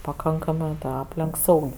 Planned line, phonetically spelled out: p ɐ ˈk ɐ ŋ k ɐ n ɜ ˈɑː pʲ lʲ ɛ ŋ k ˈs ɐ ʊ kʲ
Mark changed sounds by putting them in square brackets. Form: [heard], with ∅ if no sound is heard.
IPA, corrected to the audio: p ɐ ˈk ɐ ŋ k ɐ [m] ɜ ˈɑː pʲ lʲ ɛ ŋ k ˈs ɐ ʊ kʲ